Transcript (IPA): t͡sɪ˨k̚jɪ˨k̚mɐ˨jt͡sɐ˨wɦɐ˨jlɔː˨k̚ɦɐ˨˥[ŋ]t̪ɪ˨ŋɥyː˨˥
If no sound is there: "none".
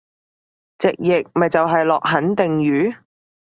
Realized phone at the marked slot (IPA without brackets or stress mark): n